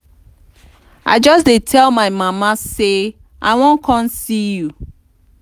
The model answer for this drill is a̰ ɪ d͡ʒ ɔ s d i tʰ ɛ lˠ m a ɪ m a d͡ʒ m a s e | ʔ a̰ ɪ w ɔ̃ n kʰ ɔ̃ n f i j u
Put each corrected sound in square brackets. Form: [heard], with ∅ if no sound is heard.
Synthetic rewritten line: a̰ ɪ d͡ʒ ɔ s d [e] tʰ ɛ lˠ m a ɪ m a [∅] m a s e | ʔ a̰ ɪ w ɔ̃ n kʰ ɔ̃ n [s] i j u

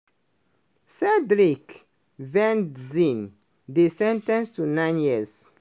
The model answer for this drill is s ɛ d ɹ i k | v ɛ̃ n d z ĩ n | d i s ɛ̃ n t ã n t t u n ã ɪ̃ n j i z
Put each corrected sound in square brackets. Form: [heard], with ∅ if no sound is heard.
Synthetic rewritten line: s ɛ d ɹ i k | v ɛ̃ n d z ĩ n | d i s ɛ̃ n t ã n [s] t u n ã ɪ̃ n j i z

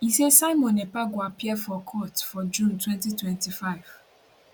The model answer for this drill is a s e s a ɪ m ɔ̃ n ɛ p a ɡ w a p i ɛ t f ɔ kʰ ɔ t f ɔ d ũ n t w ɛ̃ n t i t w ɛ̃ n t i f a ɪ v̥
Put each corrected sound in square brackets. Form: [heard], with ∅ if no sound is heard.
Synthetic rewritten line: [i] s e s a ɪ m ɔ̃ n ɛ p a ɡ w a p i ɛ [∅] f ɔ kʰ ɔ t f ɔ [d͡ʒ] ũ n t w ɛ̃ n t i t w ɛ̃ n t i f a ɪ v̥

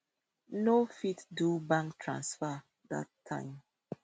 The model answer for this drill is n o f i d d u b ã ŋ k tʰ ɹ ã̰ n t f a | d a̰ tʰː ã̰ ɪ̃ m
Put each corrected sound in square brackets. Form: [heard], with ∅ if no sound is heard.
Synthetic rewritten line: n o f i [t] d u b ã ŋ k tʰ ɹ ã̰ n [s] f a | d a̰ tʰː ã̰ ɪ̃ m

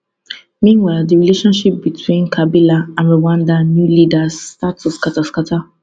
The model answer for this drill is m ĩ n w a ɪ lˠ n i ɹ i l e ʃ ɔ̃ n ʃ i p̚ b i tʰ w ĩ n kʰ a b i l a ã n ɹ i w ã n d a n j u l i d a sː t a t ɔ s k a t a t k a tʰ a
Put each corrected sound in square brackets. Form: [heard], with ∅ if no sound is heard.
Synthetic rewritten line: m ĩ n w a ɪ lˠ [d] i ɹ i l e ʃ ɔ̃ n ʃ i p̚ b i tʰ w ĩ n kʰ a b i l a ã n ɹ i w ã n d a n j u l i d a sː t a t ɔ s k a t a [s] k a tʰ a

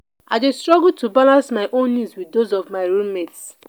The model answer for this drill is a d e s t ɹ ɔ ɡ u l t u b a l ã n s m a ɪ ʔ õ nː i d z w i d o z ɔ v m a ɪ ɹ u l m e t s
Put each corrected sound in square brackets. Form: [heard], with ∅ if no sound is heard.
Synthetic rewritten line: a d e s t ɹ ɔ ɡ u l t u b a l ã n s m a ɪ ʔ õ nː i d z w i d o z ɔ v m a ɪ ɹ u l m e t s

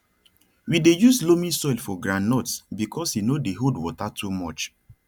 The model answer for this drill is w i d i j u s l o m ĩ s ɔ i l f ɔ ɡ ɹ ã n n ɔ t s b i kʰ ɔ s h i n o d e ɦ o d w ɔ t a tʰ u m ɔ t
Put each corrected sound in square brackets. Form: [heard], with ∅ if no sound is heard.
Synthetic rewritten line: w i d [e] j u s l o m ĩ s ɔ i l f ɔ ɡ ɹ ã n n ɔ t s b i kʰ ɔ s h i n o d e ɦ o d w ɔ t a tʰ u m ɔ [t͡ʃ]

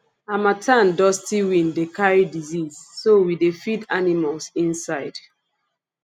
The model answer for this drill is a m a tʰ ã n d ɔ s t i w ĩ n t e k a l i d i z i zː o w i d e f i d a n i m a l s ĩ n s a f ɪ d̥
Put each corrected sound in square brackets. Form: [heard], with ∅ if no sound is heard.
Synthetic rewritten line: a m a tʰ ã n d ɔ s t i w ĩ n [d] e k a [ɹ] i d i z i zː o w i d e f i d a n i m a l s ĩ n s a [∅] ɪ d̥

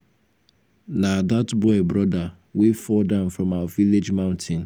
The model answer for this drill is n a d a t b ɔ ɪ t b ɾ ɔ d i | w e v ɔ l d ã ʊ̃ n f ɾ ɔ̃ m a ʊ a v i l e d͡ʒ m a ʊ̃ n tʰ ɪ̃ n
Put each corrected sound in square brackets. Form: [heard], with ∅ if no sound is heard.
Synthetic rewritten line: n a d a t b ɔ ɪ [∅] b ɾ ɔ d [a] | w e [f] ɔ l d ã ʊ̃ n f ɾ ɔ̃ m a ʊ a v i l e d͡ʒ m a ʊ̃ n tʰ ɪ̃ n

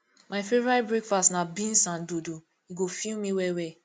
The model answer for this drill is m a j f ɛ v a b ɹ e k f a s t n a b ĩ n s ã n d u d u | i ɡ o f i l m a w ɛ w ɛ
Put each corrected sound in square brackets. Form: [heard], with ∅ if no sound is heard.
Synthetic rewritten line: m a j f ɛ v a b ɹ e k f a s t n a b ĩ n s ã n d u d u | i ɡ o f i l m [i] w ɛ w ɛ

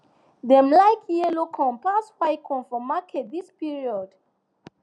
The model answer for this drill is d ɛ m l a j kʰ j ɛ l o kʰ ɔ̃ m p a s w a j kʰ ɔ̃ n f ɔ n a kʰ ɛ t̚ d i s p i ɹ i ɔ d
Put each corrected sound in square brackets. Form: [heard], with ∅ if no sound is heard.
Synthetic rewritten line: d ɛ m l a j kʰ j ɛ l o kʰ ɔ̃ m p a s w a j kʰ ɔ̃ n f ɔ [m] a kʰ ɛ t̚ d i s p i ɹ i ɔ d

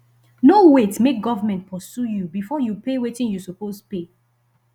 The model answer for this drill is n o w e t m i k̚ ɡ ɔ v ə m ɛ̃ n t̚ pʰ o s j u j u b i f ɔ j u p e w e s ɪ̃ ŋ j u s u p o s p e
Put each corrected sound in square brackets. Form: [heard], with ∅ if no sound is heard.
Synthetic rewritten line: n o w e t m [e] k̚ ɡ ɔ v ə m ɛ̃ n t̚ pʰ [ɔ] s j u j u b i f ɔ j u p e w e [t] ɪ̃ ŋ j u s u p o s p e

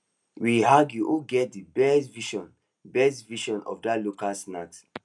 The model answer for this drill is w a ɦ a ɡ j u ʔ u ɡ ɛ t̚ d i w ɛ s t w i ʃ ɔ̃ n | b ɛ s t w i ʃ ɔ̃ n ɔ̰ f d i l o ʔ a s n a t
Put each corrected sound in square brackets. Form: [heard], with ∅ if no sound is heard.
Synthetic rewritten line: w [i] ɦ a ɡ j u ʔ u ɡ ɛ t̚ d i [b] ɛ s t [v] i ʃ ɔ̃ n | b ɛ s t [v] i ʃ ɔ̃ n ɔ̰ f d [a] l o [k] a s n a t

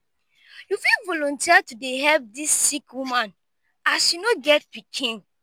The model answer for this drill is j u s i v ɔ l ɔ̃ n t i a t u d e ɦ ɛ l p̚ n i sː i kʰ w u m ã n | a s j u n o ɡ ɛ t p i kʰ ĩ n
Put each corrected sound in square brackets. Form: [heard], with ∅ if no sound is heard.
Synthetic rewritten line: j u [f] i v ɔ l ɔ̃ n t i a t u d e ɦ ɛ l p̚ [d] i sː i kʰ w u m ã n | a s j u n o ɡ ɛ t p i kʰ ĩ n

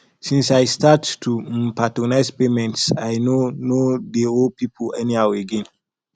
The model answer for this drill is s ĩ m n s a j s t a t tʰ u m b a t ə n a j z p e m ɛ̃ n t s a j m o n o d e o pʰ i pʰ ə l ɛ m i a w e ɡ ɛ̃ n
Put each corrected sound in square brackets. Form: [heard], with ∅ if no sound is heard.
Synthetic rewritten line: s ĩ [∅] n s a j s t a t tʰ u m [p] a t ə n a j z p e m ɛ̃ n t s a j [n] o n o d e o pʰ i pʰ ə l ɛ [n] i a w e ɡ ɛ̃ n

